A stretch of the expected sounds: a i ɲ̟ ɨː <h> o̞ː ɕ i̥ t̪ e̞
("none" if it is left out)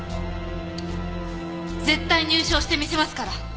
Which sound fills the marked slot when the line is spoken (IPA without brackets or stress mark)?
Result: ɕ